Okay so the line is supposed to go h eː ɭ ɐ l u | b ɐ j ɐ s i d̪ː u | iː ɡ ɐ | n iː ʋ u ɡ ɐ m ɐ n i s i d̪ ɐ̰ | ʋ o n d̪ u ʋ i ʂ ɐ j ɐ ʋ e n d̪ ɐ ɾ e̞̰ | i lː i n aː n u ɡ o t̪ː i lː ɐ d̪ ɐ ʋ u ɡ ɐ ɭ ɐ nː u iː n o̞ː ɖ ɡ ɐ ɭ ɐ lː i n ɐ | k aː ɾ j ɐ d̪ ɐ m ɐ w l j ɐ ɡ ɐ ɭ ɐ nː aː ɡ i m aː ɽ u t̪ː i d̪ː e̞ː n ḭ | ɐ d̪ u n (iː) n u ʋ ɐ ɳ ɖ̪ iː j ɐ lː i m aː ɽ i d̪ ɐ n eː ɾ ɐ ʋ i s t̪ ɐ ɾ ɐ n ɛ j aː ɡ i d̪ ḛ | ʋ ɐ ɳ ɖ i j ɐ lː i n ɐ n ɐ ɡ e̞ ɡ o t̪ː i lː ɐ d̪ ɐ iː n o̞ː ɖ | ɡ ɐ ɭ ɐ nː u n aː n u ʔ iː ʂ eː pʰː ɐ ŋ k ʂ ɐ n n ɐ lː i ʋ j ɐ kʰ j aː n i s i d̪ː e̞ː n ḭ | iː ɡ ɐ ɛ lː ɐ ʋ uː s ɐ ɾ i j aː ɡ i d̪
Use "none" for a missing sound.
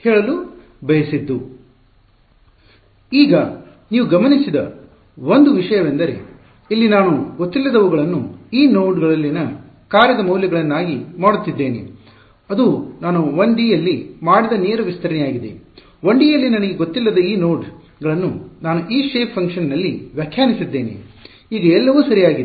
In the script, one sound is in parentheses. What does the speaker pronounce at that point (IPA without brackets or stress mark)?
aː